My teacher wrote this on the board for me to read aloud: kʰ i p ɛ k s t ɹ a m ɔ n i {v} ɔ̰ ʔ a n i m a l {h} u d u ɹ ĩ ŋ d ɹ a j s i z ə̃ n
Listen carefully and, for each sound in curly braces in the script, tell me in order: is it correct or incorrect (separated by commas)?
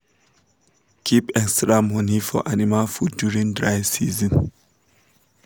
incorrect, incorrect